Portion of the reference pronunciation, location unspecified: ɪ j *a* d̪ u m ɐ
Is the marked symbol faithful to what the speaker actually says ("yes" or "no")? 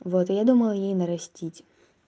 yes